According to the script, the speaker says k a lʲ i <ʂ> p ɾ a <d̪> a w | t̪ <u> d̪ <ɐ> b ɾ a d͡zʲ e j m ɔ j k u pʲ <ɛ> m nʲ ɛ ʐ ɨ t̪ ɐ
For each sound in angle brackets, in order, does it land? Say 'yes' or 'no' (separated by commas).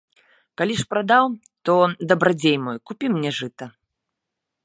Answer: yes, yes, no, yes, no